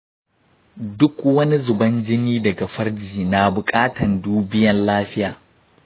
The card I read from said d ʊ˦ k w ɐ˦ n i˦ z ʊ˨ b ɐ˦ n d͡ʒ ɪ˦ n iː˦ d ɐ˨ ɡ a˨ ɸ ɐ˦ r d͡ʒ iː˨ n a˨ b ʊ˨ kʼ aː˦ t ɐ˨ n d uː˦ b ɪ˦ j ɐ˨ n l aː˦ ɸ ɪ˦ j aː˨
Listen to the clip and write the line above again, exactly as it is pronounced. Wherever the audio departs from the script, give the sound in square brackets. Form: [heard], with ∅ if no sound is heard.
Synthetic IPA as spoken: d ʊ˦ k w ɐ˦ n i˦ z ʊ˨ b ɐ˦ n d͡ʒ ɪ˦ n iː˦ d ɐ˨ ɡ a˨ ɸ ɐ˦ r d͡ʒ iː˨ n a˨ b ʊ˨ kʼ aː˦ t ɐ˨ n d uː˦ b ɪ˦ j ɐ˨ n l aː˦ ɸ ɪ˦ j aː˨